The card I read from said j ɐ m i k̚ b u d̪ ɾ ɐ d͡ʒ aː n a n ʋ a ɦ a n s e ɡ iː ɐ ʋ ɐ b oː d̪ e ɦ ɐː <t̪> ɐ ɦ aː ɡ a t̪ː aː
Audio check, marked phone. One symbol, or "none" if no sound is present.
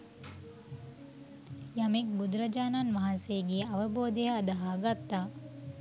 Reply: d̪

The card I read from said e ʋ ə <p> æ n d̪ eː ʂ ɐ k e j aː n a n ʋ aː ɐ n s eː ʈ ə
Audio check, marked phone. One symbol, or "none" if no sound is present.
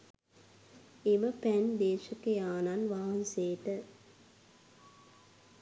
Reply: p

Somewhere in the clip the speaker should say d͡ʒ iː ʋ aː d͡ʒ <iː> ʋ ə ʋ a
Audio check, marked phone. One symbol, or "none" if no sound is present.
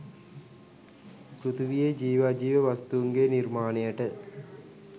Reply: iː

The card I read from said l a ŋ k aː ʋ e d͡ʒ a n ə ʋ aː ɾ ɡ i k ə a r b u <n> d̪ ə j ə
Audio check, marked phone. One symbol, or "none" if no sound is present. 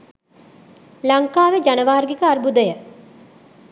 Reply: none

